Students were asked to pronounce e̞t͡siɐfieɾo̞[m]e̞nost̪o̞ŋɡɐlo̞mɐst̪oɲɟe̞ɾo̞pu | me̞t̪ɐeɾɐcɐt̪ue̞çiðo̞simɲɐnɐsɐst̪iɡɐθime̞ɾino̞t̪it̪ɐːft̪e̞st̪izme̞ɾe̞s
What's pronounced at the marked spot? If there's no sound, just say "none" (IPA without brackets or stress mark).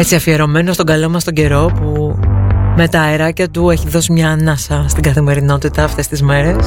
m